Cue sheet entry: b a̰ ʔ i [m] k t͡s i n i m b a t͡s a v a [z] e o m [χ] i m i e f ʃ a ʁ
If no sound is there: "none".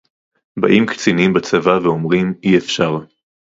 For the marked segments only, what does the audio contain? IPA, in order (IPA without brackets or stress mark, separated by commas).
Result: m, v, ʁ